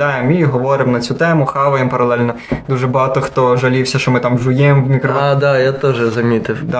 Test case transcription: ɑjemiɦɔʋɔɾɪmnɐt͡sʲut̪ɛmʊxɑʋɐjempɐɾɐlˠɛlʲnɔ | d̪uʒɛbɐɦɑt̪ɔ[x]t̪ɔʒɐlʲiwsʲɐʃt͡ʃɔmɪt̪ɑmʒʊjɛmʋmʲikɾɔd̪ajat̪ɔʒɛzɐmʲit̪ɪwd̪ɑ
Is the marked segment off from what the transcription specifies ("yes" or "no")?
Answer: no